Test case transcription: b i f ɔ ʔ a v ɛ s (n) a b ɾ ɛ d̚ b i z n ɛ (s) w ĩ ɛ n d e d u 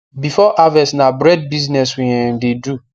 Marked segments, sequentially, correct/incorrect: correct, correct

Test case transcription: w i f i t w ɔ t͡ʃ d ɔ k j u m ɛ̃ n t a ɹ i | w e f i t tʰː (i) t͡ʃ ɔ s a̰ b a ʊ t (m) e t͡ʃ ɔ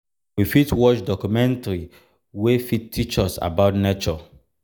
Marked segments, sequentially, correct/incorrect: correct, incorrect: n

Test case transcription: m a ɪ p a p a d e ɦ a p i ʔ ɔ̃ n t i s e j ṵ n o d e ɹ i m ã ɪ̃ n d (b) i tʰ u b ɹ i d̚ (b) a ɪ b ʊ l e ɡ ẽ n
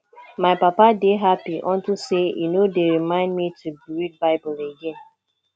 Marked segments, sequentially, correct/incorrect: incorrect: m, correct

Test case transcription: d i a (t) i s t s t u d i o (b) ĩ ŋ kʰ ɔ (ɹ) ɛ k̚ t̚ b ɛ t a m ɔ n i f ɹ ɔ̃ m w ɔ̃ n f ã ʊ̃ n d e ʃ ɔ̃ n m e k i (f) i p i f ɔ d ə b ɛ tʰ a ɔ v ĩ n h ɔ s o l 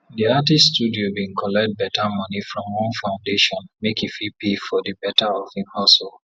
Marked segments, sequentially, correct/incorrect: correct, correct, incorrect: l, correct

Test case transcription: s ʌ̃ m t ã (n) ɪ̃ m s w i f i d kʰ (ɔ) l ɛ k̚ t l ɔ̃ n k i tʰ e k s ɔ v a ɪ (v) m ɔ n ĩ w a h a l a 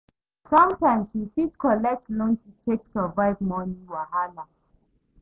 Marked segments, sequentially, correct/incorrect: incorrect: none, correct, correct

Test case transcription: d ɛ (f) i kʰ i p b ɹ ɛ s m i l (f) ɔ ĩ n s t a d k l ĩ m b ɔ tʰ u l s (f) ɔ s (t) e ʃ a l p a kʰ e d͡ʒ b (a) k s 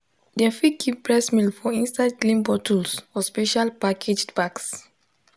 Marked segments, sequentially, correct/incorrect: correct, correct, correct, incorrect: p, correct

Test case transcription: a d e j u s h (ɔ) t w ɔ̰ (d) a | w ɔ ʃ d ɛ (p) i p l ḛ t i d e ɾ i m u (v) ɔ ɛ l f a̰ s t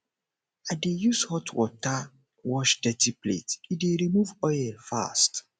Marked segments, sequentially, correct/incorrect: correct, incorrect: t, incorrect: t, correct

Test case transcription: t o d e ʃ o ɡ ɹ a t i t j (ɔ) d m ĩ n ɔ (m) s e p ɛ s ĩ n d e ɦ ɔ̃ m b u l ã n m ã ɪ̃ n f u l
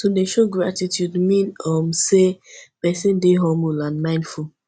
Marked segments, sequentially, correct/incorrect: incorrect: u, correct

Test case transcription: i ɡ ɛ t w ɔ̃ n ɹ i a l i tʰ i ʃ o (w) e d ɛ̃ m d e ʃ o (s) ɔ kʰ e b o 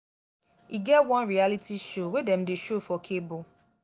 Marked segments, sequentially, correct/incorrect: correct, incorrect: f

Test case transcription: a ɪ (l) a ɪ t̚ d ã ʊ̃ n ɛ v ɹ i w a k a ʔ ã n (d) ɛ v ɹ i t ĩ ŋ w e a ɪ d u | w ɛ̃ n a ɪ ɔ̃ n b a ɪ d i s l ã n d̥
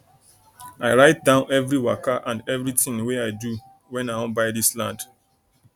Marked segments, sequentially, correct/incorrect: incorrect: ɹ, correct

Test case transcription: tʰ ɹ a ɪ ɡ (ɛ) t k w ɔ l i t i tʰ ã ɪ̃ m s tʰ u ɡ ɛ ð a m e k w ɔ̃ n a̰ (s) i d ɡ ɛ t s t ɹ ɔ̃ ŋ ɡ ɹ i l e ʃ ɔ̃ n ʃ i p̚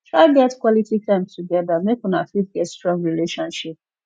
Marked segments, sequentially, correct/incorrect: correct, incorrect: f

